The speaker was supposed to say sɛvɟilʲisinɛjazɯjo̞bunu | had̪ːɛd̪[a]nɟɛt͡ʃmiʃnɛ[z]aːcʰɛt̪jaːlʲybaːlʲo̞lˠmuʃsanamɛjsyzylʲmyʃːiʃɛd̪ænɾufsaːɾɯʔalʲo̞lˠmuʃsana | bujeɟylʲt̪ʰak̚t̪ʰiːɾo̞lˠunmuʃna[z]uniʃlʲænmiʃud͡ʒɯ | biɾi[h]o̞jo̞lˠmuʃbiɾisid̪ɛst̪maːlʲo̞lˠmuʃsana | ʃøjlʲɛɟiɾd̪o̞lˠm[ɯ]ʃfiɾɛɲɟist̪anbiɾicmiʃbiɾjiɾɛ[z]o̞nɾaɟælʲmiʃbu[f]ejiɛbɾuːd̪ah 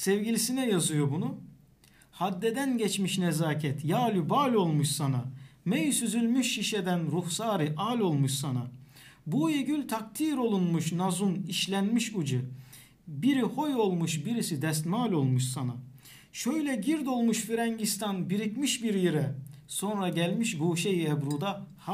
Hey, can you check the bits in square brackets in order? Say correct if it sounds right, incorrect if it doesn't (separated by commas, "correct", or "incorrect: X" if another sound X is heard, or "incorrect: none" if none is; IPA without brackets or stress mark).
incorrect: æ, correct, correct, correct, incorrect: u, incorrect: s, incorrect: ʃ